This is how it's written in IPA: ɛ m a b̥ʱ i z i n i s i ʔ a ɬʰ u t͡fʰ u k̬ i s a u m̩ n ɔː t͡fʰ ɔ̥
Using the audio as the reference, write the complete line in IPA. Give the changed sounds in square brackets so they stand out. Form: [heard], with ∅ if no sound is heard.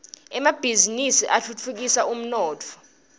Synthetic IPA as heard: ɛ m a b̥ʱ i z i n i s i ʔ a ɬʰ u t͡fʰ u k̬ i s a u m̩ n ɔː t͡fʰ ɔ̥